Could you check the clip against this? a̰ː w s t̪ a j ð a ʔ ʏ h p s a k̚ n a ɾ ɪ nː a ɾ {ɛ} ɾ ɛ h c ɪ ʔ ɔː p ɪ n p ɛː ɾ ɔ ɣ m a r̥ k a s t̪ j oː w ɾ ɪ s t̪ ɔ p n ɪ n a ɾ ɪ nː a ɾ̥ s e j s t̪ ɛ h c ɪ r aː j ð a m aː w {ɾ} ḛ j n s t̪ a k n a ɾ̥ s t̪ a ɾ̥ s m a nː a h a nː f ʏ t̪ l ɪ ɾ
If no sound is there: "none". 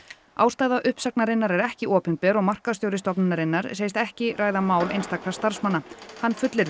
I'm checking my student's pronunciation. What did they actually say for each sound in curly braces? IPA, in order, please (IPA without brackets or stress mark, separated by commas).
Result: ɛ, l